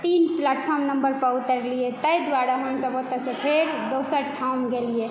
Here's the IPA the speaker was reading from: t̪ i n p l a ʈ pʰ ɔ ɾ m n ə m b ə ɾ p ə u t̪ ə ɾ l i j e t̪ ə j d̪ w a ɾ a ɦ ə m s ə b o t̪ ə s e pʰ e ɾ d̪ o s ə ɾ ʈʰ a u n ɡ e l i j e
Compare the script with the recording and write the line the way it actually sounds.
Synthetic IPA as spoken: t̪ i n p l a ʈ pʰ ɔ ɾ m n ə m b ə ɾ p ə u t̪ ə ɾ l i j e t̪ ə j d̪ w a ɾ a ɦ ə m s ə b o t̪ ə s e pʰ e ɾ d̪ o s ə ɾ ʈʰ a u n ɡ e l i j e

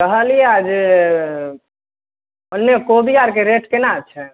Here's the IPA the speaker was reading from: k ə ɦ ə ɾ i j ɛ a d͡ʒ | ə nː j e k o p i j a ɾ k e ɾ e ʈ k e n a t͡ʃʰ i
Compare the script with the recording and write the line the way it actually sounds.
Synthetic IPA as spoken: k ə ɦ ə l i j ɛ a d͡ʒ | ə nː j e k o b i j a ɾ k e ɾ e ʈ k e n a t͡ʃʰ ɛ

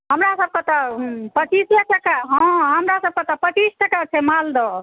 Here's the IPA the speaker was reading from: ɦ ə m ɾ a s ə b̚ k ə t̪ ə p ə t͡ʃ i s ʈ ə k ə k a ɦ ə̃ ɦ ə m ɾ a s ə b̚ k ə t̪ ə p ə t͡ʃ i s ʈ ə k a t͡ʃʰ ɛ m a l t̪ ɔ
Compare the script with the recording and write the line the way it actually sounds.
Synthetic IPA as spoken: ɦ ə m ɾ a s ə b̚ k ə t̪ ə p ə t͡ʃ i s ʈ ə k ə k a ɦ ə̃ ɦ ə m ɾ a s ə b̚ k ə t̪ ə p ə t͡ʃ i s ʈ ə k a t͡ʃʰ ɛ m a l d̪ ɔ

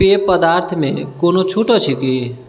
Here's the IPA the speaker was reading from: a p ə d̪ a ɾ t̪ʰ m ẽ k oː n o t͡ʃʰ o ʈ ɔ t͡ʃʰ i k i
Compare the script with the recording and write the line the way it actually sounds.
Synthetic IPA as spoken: e p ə d̪ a ɾ t̪ʰ m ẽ k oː n o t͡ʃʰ u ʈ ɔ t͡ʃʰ i k i

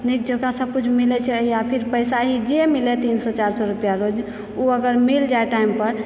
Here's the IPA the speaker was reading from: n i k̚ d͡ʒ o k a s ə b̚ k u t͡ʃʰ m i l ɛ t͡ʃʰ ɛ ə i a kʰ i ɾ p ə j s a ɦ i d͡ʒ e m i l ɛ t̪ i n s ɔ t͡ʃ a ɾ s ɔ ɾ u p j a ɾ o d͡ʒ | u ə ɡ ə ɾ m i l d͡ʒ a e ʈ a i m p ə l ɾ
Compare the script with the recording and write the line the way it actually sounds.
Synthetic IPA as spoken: n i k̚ d͡ʒ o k a s ə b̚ k u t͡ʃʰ m i l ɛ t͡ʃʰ ɛ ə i a pʰ i ɾ p ə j s a ɦ i d͡ʒ e m i l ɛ t̪ i n s ɔ t͡ʃ a ɾ s ɔ ɾ u p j a ɾ o d͡ʒ | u ə ɡ ə ɾ m i l d͡ʒ a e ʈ a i m p ə ɾ

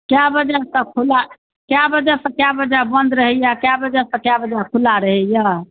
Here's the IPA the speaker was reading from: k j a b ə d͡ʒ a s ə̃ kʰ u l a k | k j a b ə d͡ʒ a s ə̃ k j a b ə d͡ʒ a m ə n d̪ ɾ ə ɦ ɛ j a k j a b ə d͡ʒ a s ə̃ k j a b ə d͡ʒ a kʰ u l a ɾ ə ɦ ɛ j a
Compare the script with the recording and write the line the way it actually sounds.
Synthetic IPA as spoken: k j a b ə d͡ʒ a s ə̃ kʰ u l a | k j a b ə d͡ʒ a s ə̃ k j a b ə d͡ʒ a b ə n d̪ ɾ ə ɦ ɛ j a k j a b ə d͡ʒ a s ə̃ k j a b ə d͡ʒ a kʰ u l a ɾ ə ɦ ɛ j a

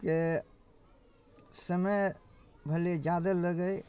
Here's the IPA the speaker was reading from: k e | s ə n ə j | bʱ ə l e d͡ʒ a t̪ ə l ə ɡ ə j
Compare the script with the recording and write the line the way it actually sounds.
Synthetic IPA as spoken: k e | s ə m ə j | bʱ ə l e d͡ʒ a d̪ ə l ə ɡ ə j

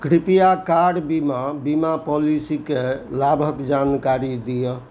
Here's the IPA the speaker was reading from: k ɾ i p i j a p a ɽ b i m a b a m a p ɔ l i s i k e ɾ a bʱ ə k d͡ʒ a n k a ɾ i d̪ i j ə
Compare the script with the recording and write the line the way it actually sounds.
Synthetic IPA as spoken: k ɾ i p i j a k a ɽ b i m a b i m a p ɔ l i s i k e l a bʱ ə k d͡ʒ a n k a ɾ i d̪ i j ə

